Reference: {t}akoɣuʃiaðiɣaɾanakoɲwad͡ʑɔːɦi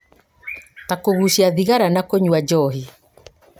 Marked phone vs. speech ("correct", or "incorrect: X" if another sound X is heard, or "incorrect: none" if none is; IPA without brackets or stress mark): correct